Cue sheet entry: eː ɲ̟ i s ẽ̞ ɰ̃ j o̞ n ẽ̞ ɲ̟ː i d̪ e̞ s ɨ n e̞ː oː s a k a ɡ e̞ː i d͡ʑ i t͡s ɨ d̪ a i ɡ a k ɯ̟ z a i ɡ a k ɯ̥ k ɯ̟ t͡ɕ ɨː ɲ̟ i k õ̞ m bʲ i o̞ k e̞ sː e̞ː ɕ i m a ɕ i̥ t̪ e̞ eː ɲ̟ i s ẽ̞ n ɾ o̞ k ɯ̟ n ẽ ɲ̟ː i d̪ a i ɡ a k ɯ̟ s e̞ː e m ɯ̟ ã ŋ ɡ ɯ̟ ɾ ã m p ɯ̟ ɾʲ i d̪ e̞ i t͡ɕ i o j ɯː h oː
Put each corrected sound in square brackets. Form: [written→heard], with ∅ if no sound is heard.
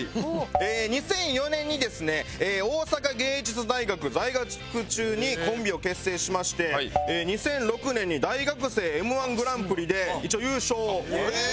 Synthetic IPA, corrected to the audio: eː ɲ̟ i s ẽ̞ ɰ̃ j o̞ n ẽ̞ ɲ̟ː i d̪ e̞ s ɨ n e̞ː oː s a k a ɡ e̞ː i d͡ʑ i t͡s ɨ d̪ a i ɡ a k ɯ̟ z a i ɡ a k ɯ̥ k ɯ̟ t͡ɕ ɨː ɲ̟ i k õ̞ m bʲ i o̞ k e̞ sː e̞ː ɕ i m a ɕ i̥ t̪ e̞ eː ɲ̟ i s ẽ̞ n ɾ o̞ k ɯ̟ n ẽ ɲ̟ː i d̪ a i ɡ a k ɯ̟ s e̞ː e m ɯ̟ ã ŋ ɡ ɯ̟ ɾ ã m p ɯ̟ ɾʲ i d̪ e̞ i t͡ɕ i o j ɯː [h→ɕ] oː